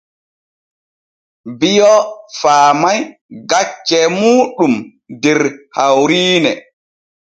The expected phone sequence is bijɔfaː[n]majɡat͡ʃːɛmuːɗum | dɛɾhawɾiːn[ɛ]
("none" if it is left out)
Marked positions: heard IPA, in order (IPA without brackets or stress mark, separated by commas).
none, ɛ